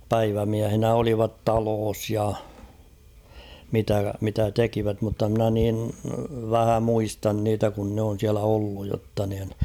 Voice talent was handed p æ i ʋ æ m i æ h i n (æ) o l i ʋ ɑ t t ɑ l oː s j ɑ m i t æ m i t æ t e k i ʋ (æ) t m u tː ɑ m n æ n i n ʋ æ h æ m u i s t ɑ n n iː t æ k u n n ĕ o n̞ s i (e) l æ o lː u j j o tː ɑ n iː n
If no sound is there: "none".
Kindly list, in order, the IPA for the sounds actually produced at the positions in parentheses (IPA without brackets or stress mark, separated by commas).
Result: æ, æ, æ